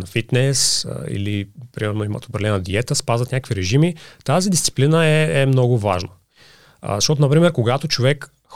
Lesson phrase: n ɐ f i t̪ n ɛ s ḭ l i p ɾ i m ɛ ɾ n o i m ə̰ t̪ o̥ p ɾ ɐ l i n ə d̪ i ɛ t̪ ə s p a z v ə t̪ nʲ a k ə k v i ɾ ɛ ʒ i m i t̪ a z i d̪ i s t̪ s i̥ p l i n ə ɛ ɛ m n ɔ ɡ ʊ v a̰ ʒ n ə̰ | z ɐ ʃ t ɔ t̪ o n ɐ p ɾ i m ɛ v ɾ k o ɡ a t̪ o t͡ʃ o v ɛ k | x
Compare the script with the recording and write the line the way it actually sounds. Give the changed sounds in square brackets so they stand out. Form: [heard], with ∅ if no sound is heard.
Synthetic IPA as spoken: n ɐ f i t̪ n ɛ s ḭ l i p ɾ i m ɛ ɾ n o i m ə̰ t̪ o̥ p ɾ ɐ l [ɛ] n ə d̪ i ɛ t̪ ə s p a z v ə t̪ nʲ a k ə k v i ɾ ɛ ʒ i m i t̪ a z i d̪ i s t̪ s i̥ p l i n ə ɛ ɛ m n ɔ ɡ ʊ v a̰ ʒ n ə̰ | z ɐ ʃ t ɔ t̪ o n ɐ p ɾ i m ɛ [∅] ɾ k o ɡ a t̪ o t͡ʃ o v ɛ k | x